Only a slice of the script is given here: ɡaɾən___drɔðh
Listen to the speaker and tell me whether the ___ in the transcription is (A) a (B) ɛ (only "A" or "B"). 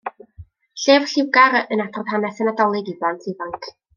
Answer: A